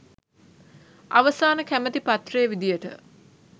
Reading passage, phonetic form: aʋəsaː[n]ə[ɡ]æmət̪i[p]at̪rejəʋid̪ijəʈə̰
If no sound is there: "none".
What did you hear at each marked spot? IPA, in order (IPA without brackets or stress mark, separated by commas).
n, k, p